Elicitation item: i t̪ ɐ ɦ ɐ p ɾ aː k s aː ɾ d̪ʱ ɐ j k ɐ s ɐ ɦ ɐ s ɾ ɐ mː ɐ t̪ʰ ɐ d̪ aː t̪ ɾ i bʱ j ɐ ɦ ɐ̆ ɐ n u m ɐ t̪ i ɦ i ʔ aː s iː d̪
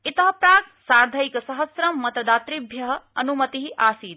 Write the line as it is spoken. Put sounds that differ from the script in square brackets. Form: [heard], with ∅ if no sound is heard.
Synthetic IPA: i t̪ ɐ ɦ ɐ p ɾ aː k s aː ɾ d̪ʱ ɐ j k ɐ s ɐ ɦ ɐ s ɾ ɐ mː ɐ [t̪] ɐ d̪ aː t̪ ɾ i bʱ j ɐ ɦ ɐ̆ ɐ n u m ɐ t̪ i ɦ i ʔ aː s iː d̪